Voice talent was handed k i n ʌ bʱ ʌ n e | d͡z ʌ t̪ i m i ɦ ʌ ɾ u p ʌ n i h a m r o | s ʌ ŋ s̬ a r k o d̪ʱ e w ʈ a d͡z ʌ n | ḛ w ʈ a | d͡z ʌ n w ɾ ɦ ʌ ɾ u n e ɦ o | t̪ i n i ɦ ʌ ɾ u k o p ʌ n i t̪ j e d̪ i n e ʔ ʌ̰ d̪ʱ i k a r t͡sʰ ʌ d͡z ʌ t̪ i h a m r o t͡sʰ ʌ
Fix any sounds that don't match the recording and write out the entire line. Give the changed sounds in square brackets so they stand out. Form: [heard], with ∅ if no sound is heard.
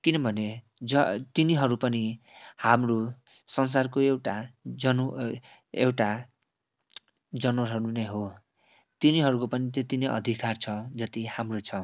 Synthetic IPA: k i n ʌ bʱ ʌ n e | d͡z ʌ t̪ i [n] i ɦ ʌ ɾ u p ʌ n i h a m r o | s ʌ [n] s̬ a r k o [∅] e w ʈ a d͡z ʌ n | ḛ w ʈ a | d͡z ʌ n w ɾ ɦ ʌ ɾ u n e ɦ o | t̪ i n i ɦ ʌ ɾ u k o p ʌ n i t̪ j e [t̪] i n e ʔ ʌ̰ d̪ʱ i k a r t͡sʰ ʌ d͡z ʌ t̪ i h a m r o t͡sʰ ʌ